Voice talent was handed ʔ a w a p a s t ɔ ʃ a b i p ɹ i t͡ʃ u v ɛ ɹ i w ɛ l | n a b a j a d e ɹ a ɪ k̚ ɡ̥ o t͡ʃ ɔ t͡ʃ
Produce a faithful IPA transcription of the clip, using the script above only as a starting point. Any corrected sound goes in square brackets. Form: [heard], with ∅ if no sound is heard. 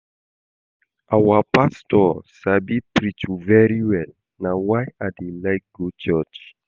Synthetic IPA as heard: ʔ a w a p a s t ɔ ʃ a b i p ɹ i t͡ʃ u v ɛ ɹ i w ɛ l | n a [w] a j a d e [l] a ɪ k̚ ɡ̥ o t͡ʃ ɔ t͡ʃ